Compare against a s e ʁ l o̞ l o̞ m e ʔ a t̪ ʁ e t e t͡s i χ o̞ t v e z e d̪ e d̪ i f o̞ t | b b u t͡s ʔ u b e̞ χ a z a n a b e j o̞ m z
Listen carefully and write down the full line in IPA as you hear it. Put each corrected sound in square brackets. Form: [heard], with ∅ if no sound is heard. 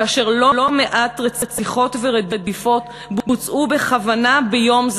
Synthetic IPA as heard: a [ʃ] e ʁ l o̞ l o̞ m e ʔ a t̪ ʁ e [t͡s] e t͡s i χ o̞ t v e [ʁ] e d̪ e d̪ i f o̞ t | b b u t͡s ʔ u b e̞ χ a [v] a n a b e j o̞ m z